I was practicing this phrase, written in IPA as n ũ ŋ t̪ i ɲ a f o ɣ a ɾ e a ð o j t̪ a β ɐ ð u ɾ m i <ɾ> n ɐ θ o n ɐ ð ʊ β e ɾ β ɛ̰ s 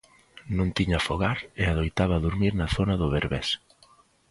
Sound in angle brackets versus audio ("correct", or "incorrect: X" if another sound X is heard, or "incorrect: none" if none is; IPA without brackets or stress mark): correct